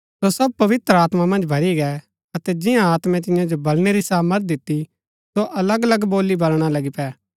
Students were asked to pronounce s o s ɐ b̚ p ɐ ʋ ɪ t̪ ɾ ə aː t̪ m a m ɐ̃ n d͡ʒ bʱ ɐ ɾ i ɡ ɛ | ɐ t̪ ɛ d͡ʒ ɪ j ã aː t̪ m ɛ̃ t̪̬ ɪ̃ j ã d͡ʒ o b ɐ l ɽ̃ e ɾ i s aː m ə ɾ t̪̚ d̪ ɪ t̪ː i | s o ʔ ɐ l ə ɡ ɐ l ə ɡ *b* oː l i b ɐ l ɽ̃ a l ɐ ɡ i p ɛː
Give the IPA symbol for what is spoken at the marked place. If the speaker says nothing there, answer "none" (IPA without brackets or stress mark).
b